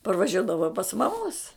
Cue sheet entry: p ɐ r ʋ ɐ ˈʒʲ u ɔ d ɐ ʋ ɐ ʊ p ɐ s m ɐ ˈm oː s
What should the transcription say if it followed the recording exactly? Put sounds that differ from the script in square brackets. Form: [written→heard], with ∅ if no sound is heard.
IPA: p ɐ r ʋ ɐ ˈʒʲ u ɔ d ɐ ʋ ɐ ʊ p ɐ s m ɐ ˈm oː s